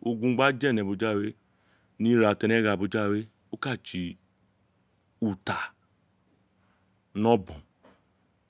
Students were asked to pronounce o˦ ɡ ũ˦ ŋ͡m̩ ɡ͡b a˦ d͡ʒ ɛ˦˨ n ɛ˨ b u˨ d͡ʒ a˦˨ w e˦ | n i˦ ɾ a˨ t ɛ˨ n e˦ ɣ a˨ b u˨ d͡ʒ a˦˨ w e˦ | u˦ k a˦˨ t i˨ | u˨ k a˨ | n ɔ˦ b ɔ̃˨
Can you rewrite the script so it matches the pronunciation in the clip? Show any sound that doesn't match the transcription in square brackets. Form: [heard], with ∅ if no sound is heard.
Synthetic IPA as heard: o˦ ɡ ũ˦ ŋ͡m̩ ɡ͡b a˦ d͡ʒ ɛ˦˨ n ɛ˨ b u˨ d͡ʒ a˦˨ w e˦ | n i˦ ɾ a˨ t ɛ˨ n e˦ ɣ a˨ b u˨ d͡ʒ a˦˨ w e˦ | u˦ k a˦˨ [t͡ʃ] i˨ | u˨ [t] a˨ | n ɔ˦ b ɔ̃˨